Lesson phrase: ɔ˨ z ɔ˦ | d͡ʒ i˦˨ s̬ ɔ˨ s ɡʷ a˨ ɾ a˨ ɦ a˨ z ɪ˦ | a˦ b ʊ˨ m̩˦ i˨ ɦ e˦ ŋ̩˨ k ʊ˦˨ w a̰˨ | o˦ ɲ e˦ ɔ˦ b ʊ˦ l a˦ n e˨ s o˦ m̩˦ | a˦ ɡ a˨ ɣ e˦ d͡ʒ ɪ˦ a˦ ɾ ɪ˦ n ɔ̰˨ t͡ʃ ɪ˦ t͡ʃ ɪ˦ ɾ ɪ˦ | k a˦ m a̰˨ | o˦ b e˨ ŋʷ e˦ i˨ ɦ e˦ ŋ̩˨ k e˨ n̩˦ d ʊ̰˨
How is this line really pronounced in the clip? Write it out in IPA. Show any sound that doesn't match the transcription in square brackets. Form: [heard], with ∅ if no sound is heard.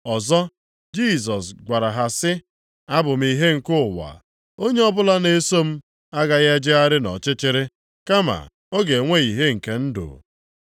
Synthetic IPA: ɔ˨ z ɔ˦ | d͡ʒ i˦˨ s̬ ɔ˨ s ɡʷ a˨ ɾ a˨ ɦ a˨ [s] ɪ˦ | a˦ b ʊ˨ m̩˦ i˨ ɦ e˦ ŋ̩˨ k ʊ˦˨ w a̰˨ | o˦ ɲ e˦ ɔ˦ b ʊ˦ l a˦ n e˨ s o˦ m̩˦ | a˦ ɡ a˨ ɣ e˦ d͡ʒ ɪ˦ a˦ ɾ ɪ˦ n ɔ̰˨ t͡ʃ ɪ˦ t͡ʃ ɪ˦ ɾ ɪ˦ | k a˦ m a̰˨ | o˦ [ɡ] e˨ ŋʷ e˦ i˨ ɦ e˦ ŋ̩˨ k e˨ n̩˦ d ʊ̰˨